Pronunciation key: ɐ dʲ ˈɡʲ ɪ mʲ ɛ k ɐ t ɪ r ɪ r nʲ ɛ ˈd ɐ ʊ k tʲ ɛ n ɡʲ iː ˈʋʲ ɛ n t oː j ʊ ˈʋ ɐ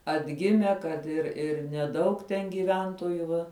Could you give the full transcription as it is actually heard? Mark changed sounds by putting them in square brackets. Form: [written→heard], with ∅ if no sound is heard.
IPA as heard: ɐ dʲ ˈɡʲ ɪ mʲ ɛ k ɐ t ɪ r ɪ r nʲ ɛ ˈd ɐ ʊ k tʲ ɛ n ɡʲ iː ˈʋʲ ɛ n t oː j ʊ ˈʋ ɐ